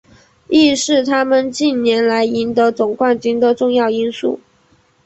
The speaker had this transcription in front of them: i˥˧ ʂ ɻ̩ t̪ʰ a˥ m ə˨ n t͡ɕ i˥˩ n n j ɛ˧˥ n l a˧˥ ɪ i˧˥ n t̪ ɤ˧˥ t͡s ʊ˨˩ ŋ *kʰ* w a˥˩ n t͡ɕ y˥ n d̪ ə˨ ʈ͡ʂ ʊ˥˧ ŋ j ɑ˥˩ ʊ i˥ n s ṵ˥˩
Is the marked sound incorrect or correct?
incorrect